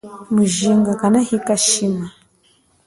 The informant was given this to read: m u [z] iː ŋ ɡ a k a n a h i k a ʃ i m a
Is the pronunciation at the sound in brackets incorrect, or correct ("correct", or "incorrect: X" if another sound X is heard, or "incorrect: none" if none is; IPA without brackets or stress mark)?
incorrect: ʒ